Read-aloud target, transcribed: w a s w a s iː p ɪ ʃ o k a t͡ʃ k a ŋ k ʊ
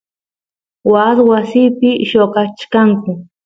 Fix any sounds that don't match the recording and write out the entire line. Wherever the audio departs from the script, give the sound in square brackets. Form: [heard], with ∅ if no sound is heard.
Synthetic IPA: w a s w a s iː p ɪ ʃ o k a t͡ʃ k a ŋ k ʊ

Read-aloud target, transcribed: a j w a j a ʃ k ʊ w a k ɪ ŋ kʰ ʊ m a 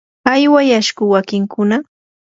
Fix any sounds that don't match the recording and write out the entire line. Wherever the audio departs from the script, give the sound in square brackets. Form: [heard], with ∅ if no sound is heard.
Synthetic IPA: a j w a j a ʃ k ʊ w a k ɪ ŋ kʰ ʊ [n] a

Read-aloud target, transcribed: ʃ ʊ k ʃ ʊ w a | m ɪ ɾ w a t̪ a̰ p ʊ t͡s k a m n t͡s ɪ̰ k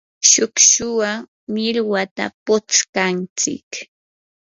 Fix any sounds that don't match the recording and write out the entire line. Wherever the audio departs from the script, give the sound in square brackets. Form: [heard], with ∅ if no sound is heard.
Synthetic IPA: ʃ ʊ k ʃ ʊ w a | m ɪ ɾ w a t̪ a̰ p ʊ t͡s k a [∅] n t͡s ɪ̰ k

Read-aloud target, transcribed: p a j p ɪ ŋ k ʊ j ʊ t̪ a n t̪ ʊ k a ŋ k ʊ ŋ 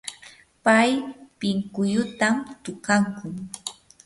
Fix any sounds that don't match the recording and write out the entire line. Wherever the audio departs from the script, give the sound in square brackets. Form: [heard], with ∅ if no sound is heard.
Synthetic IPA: p a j p ɪ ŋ k ʊ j ʊ t̪ a [m] t̪ ʊ k a ŋ k ʊ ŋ

